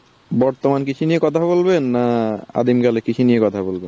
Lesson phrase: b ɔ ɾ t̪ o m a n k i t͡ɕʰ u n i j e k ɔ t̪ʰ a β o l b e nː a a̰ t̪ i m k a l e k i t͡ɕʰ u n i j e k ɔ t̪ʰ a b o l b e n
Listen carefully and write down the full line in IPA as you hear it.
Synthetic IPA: b ɔ ɾ t̪ o m a n k i t͡ɕʰ u n i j e k ɔ t̪ʰ a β o l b e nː a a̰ d̪ i m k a l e k i t͡ɕʰ u n i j e k ɔ t̪ʰ a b o l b e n